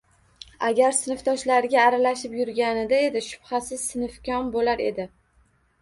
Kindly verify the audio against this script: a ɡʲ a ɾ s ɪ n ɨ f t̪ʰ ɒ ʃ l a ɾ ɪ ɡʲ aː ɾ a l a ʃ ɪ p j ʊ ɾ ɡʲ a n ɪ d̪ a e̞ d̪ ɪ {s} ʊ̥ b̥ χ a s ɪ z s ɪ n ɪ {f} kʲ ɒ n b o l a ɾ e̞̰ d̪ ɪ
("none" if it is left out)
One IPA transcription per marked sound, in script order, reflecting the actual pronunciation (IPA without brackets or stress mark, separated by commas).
ʃ, f